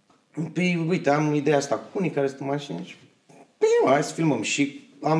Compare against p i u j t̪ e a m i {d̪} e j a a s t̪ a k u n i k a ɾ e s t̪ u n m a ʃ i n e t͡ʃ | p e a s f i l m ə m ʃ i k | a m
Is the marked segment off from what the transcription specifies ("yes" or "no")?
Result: no